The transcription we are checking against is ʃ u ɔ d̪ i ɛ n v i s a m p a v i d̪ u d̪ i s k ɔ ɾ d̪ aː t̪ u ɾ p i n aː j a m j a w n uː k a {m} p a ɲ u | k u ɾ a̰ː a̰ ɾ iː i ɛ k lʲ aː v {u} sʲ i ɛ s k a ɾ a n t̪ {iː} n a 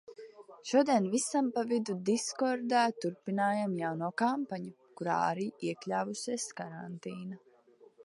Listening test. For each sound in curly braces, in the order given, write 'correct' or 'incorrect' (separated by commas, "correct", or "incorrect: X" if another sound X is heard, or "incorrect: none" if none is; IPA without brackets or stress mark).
correct, correct, correct